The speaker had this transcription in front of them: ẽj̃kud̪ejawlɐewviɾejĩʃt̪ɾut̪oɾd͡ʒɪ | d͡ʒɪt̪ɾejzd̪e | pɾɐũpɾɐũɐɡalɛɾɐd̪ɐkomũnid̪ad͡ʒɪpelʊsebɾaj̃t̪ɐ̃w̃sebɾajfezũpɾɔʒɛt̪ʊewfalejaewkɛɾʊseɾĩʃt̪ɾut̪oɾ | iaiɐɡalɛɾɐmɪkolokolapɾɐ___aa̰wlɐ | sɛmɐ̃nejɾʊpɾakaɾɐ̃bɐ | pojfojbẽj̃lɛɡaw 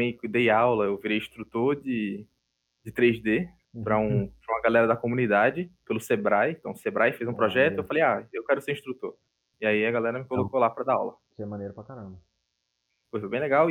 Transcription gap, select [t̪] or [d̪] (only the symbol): d̪